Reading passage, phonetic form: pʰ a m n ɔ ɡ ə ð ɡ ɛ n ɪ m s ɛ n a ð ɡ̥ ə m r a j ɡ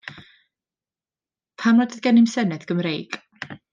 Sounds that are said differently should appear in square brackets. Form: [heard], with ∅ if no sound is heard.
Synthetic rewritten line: pʰ a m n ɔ [d] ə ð ɡ ɛ n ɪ m s ɛ n [ɛ] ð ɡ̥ ə m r [e] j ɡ